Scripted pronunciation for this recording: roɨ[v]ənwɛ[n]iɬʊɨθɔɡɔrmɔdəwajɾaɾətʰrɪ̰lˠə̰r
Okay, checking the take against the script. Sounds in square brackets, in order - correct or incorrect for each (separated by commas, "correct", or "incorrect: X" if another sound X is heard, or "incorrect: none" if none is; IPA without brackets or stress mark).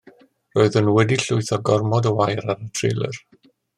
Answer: incorrect: ð, incorrect: d